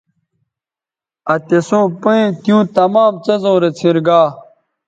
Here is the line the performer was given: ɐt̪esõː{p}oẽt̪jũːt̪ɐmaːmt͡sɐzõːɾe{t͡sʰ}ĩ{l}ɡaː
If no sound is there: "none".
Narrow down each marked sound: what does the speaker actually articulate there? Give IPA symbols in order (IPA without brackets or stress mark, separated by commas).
p, t͡sʰ, ɾ